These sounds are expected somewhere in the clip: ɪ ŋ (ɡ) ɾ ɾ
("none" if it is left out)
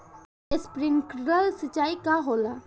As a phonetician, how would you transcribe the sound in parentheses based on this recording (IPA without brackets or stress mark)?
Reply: k